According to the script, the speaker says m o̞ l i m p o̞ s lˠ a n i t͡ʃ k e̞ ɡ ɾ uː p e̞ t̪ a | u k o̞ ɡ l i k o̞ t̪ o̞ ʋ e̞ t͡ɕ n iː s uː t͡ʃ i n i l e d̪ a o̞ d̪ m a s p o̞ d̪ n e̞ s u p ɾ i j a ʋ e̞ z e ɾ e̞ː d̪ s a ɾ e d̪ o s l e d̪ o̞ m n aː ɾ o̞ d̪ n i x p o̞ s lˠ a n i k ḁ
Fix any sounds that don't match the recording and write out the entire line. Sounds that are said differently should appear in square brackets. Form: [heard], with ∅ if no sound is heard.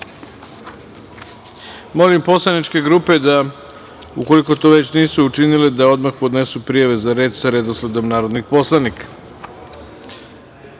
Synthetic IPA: m o̞ l i m p o̞ s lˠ a n i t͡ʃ k e̞ ɡ ɾ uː p e̞ [d̪] a | u k o̞ [∅] l i k o̞ t̪ o̞ ʋ e̞ t͡ɕ n iː s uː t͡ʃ i n i l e d̪ a o̞ d̪ m a [x] p o̞ d̪ n e̞ s u p ɾ i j a ʋ e̞ z [a] ɾ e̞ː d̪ s a ɾ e d̪ o s l e d̪ o̞ m n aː ɾ o̞ d̪ n i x p o̞ s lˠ a n i k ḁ

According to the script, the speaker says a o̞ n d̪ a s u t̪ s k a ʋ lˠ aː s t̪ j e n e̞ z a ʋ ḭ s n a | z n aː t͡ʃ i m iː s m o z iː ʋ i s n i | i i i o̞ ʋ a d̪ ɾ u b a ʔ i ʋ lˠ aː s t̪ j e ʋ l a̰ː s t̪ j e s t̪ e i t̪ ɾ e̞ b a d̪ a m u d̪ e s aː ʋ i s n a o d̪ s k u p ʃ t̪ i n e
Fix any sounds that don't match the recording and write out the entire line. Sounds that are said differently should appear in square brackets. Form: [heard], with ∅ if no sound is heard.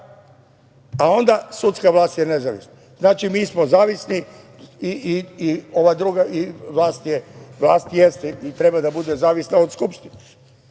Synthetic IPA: a o̞ n d̪ a s u t̪ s k a ʋ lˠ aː s t̪ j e n e̞ z a ʋ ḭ s n a | z n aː t͡ʃ i m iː s m o z [aː] ʋ i s n i | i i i o̞ ʋ a d̪ ɾ u [ɡ] a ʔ i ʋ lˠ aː s t̪ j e ʋ l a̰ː s t̪ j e s t̪ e i t̪ ɾ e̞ b a d̪ a [b] u d̪ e [z] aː ʋ i s n a o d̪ s k u p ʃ t̪ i n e

